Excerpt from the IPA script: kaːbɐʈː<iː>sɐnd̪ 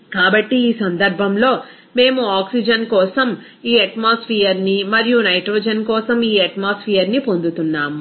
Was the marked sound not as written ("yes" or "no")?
no